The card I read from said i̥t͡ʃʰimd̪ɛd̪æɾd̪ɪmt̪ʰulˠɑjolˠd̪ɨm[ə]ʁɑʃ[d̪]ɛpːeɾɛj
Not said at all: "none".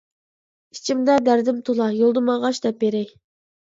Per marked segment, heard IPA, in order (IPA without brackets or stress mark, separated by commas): ɑ, d̪